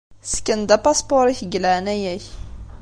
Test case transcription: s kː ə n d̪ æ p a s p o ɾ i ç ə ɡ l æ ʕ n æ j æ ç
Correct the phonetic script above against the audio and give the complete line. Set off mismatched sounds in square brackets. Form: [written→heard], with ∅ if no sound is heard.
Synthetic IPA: s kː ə n d̪ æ p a s p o ɾ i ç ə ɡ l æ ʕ n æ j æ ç